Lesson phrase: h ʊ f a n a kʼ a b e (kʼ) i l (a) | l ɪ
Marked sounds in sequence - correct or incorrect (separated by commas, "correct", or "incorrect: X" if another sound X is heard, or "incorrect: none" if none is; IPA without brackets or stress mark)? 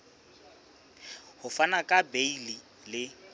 incorrect: none, incorrect: i